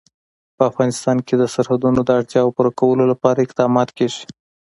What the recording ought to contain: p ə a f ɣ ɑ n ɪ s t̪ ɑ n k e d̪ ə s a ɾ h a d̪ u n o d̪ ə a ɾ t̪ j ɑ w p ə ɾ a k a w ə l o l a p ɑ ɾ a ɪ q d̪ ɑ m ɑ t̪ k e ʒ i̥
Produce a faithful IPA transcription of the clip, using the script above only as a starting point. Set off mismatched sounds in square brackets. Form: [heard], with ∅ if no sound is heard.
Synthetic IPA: p ə a f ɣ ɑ n ɪ s t̪ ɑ n k e d̪ ə s a ɾ h a d̪ u n o d̪ ə a [ɽ] t̪ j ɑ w p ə ɾ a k a w ə l o l a p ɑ ɾ a ɪ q d̪ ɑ m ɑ t̪ k e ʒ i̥

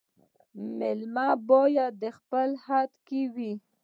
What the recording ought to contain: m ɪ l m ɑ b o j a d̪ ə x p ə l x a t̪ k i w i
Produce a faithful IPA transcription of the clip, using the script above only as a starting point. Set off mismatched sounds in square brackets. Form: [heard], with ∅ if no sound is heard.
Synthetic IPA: m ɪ l m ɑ b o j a d̪ ə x p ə l [h] a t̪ k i w i

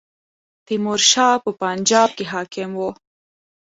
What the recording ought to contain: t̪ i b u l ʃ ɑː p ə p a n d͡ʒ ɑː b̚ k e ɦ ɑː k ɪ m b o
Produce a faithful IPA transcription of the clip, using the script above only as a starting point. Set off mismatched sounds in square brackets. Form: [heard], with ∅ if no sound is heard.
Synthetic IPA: t̪ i [m] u [ɾ] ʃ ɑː p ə p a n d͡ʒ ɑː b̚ k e ɦ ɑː k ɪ m [w] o

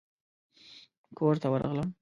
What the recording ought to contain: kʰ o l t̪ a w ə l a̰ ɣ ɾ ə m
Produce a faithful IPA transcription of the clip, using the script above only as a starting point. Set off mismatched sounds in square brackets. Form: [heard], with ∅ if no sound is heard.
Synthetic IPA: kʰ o [ɾ] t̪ a w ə [ɾ] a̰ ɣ [l] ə m

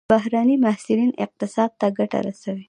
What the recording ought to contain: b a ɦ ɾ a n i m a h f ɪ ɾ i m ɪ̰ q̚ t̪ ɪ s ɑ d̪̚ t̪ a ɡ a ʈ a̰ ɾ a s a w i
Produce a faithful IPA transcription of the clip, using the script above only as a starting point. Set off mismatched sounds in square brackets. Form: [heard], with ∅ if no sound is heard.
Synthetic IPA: b a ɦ ɾ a n i m a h [s] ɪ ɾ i [n] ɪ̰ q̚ t̪ ɪ s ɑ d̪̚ t̪ a ɡ a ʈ a̰ ɾ a s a w i

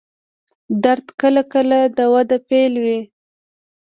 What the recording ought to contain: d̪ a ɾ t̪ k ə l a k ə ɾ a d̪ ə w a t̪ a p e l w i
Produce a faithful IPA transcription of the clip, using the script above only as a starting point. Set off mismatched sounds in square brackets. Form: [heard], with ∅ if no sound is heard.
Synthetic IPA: d̪ a ɾ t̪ k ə l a k ə [l] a d̪ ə w a [d̪] a p e l w i

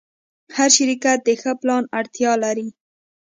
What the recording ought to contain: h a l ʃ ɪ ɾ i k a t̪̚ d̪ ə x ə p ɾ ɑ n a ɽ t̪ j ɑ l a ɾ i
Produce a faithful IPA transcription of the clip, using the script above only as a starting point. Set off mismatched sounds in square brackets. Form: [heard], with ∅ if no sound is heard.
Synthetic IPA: h a [ɾ] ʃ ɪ ɾ i k a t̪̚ d̪ ə x ə p [l] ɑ n a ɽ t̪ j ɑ l a ɾ i

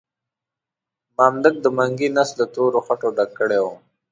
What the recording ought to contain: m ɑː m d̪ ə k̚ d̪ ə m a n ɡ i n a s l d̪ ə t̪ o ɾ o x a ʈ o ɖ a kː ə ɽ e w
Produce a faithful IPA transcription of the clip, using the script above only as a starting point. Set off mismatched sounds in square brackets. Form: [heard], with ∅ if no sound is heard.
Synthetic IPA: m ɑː m d̪ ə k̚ d̪ ə m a [ŋ] ɡ i n a s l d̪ ə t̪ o ɾ o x a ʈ o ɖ a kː ə ɽ e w

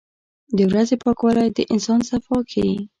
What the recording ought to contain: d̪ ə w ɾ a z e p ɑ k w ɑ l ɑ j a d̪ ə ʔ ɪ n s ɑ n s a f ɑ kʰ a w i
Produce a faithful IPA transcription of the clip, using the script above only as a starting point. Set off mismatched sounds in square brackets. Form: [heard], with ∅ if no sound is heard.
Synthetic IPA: d̪ ə w ɾ a z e p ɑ k w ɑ l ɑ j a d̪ ə ʔ ɪ n s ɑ n s a f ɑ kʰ a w i

